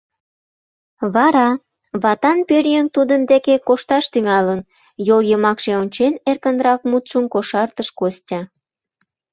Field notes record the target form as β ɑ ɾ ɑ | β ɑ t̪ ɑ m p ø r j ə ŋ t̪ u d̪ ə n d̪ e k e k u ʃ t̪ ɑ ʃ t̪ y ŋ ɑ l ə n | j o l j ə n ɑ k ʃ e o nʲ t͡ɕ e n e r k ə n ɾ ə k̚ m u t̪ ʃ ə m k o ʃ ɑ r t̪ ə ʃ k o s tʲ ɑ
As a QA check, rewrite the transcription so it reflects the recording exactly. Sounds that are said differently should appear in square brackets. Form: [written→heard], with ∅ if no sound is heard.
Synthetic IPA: β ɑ ɾ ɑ | β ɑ t̪ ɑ [m→n] p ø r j ə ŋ t̪ u d̪ ə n d̪ e k e k [u→o] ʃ t̪ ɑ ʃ t̪ y ŋ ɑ l ə n | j o l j ə [n→m] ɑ k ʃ e o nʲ t͡ɕ e n e r k ə n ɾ [ə→ɑ] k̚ m u t̪ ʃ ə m k o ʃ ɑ r t̪ ə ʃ k o s tʲ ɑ